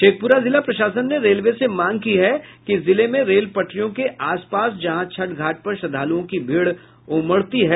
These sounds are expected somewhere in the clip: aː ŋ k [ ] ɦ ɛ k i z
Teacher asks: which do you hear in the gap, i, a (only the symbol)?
i